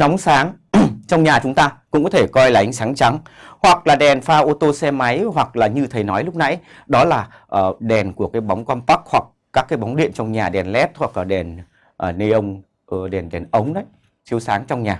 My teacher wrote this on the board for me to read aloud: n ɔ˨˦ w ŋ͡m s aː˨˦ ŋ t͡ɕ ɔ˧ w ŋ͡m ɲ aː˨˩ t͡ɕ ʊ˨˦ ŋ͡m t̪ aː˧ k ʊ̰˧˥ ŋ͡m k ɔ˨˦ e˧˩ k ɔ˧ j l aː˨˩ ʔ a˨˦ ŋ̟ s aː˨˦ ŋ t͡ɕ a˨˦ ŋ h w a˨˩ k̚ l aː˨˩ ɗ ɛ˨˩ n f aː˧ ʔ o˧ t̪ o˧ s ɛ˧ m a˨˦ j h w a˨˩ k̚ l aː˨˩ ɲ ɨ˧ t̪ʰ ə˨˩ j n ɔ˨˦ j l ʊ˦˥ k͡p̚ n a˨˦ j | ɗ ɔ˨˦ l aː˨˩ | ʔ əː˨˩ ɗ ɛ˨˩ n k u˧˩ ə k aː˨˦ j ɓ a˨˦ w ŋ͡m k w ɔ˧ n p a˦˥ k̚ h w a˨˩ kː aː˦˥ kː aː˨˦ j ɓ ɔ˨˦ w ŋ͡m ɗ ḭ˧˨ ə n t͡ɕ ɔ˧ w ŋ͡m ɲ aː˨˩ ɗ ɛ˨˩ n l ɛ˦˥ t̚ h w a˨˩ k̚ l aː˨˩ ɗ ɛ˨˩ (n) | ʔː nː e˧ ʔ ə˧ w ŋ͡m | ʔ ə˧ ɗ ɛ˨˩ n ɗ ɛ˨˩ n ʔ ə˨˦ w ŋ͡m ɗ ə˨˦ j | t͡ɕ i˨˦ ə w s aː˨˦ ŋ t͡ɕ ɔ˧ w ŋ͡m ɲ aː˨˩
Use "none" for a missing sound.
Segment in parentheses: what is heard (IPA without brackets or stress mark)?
n